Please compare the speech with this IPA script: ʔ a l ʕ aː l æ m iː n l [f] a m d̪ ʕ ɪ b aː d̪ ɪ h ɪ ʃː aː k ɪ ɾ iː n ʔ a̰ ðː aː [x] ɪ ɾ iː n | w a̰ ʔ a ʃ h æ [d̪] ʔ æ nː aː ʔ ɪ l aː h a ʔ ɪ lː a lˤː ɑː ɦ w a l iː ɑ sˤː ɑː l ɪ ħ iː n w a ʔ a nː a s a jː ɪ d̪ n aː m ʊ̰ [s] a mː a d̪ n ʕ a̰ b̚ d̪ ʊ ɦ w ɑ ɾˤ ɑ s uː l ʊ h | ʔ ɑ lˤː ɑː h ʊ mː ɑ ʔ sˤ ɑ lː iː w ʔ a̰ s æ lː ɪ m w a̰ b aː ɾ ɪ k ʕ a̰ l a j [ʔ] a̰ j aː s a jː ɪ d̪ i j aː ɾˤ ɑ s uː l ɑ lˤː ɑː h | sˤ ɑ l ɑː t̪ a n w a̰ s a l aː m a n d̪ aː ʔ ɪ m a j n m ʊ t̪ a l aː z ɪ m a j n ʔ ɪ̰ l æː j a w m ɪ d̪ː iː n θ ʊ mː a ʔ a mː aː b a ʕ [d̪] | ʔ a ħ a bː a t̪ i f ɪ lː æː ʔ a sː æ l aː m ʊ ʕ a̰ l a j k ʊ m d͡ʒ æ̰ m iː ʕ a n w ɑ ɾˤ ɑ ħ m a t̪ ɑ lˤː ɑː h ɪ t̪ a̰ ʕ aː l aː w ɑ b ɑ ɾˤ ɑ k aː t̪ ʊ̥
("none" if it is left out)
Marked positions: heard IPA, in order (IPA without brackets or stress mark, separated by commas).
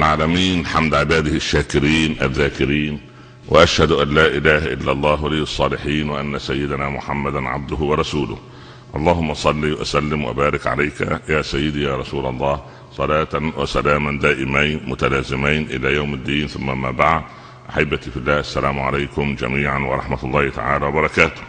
ħ, k, d̪, ħ, k, d̪